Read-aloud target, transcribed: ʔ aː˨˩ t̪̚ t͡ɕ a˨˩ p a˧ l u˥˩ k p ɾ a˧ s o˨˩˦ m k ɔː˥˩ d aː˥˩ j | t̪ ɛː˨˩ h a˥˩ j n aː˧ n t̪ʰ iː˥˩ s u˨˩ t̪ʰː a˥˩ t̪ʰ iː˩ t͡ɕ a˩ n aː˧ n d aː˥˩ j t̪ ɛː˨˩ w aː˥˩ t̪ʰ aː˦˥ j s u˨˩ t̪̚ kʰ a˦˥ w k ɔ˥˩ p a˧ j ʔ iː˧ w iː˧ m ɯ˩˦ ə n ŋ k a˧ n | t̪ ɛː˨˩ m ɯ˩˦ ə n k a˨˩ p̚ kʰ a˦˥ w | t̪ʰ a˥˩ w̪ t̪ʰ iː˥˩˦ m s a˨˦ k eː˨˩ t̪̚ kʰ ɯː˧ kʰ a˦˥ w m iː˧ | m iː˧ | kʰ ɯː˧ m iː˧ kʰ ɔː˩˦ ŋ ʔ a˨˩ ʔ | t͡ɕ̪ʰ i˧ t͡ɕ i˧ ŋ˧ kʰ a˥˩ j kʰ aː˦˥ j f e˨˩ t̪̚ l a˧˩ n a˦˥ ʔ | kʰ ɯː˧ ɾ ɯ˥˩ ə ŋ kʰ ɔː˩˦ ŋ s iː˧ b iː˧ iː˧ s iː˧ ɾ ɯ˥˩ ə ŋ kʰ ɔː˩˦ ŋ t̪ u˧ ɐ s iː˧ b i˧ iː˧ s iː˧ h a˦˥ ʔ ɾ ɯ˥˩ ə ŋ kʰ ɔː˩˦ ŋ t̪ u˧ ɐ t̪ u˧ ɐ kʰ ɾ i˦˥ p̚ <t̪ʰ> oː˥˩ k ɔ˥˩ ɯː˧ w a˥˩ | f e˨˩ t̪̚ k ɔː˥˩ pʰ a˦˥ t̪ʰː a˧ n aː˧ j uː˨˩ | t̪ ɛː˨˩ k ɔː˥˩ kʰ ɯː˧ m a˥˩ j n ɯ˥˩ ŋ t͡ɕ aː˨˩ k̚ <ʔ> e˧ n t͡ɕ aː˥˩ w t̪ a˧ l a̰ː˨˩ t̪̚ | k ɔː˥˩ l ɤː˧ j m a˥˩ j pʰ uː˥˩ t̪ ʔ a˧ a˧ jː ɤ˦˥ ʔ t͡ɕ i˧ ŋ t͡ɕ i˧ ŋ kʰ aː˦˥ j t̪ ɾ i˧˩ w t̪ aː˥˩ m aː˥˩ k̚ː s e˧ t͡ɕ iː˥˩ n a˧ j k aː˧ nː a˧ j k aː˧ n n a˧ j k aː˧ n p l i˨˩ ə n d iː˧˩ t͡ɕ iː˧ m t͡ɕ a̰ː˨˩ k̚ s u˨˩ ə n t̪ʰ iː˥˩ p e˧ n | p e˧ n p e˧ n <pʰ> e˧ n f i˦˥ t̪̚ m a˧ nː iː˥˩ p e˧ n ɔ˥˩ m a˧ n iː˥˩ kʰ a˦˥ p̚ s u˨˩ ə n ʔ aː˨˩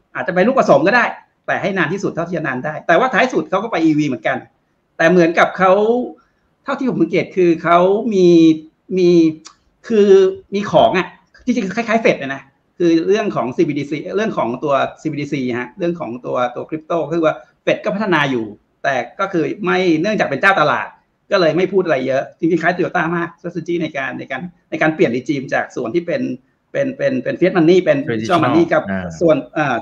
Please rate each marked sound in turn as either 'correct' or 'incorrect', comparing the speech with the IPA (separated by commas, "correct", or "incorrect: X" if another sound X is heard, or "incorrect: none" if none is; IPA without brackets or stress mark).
incorrect: t̪, incorrect: p, incorrect: p